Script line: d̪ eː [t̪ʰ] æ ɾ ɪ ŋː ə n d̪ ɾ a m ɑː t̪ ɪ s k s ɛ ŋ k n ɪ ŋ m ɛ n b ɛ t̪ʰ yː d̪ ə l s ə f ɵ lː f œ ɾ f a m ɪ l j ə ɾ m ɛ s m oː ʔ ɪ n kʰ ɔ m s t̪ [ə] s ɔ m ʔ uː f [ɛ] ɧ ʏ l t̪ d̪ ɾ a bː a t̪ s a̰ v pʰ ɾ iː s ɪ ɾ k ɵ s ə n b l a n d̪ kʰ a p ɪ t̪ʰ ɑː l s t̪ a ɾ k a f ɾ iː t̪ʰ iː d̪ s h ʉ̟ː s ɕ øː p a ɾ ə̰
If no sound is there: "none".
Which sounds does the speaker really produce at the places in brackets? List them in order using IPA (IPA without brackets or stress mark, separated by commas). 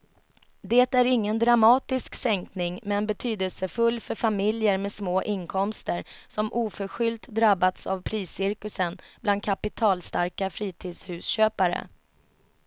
t̪, ə, œ